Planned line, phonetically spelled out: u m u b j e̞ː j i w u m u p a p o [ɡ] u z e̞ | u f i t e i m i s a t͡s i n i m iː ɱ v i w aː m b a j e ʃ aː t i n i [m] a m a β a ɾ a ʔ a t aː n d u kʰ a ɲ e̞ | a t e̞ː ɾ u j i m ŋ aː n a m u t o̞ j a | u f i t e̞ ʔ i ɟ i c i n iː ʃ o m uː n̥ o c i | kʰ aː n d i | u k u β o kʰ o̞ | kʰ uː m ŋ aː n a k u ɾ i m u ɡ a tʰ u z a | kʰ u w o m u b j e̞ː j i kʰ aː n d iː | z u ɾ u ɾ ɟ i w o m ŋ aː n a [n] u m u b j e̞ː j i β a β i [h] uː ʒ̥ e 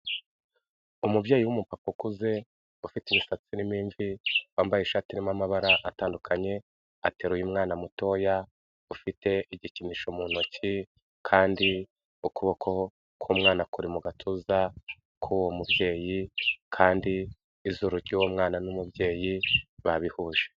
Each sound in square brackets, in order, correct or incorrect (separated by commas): incorrect, correct, correct, correct